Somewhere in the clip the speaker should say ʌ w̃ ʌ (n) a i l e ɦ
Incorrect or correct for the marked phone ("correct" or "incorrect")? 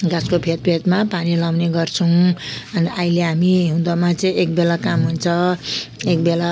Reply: correct